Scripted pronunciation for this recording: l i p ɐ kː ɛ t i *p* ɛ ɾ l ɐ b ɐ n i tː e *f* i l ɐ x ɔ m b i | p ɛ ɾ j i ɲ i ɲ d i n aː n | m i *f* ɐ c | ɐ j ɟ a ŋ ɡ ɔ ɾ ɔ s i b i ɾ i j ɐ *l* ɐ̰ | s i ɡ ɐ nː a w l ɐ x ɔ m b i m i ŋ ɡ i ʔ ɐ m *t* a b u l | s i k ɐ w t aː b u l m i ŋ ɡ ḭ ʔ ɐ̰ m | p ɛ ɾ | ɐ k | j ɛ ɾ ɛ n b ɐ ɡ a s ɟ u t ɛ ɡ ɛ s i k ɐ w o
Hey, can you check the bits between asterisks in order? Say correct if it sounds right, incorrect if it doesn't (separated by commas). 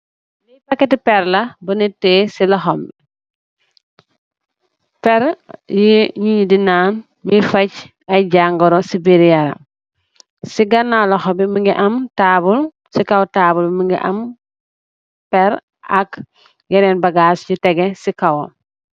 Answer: correct, incorrect, correct, incorrect, correct